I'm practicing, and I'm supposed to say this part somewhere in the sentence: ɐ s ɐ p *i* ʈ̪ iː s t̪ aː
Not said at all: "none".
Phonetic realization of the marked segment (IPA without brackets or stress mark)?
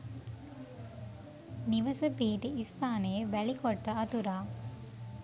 iː